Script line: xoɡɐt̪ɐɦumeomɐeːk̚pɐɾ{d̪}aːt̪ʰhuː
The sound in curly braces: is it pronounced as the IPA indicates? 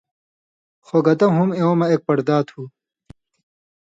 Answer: yes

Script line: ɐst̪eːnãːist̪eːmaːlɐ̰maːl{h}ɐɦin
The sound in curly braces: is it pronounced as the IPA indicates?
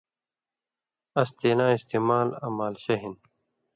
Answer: no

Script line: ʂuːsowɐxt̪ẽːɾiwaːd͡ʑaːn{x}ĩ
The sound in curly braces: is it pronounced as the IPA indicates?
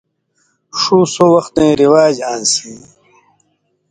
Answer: no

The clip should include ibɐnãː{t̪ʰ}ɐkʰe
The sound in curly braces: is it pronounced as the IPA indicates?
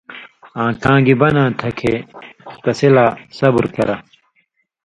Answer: yes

